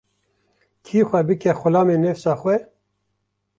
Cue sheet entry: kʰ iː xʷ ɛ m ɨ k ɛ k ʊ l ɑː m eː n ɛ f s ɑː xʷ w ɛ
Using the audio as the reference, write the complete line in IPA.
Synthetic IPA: kʰ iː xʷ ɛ b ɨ k ɛ x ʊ l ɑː m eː n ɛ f s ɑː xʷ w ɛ